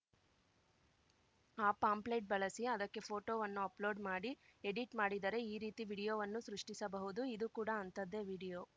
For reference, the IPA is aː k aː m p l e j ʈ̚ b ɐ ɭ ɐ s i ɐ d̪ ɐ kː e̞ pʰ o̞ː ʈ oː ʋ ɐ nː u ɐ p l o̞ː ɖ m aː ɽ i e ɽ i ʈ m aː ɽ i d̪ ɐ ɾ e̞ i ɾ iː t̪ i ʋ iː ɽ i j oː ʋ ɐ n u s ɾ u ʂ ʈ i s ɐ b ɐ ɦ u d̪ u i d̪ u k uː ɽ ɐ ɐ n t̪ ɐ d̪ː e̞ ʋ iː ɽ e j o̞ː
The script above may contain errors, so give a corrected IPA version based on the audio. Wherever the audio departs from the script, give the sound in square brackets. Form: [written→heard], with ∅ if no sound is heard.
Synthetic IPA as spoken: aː [k→p] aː m p l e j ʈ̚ b ɐ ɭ ɐ s i ɐ d̪ ɐ kː e̞ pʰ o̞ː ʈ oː ʋ ɐ nː u ɐ p l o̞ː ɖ m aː ɽ i e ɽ i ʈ m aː ɽ i d̪ ɐ ɾ e̞ [i→iː] ɾ iː t̪ i ʋ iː ɽ i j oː ʋ ɐ [n→nː] u s ɾ u ʂ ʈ i s ɐ b ɐ ɦ u d̪ u i d̪ u k uː ɽ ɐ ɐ n t̪ ɐ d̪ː e̞ ʋ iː ɽ [e→i] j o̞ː